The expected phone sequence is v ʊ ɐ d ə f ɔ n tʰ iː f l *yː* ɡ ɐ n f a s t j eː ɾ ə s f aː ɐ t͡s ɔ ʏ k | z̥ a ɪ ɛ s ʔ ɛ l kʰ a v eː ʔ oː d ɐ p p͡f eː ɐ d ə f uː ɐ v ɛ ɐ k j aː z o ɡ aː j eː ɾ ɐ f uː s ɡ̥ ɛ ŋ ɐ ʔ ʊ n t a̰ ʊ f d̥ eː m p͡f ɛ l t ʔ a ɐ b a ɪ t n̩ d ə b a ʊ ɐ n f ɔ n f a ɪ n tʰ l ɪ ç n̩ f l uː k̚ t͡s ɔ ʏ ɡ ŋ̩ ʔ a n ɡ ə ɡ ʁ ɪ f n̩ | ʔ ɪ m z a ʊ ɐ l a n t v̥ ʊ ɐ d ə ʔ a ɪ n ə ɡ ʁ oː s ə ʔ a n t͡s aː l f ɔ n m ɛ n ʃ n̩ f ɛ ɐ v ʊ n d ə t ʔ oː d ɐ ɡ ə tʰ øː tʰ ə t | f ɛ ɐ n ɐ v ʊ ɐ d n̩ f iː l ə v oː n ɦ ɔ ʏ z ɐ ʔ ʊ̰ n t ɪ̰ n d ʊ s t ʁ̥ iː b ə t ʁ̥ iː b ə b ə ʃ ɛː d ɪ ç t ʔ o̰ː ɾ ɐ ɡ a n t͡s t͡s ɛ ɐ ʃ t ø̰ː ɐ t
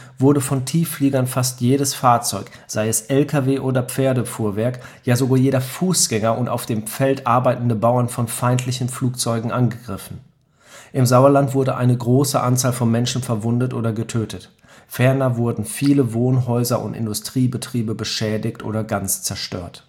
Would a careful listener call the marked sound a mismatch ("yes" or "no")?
yes